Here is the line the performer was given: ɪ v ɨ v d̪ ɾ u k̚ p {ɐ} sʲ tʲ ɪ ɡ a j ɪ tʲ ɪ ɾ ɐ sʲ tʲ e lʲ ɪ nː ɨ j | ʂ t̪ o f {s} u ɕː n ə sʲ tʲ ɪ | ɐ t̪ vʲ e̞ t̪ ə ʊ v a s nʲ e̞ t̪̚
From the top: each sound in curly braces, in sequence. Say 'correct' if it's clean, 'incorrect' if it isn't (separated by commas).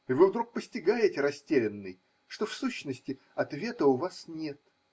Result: incorrect, correct